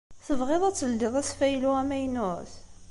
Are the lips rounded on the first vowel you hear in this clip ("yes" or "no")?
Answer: no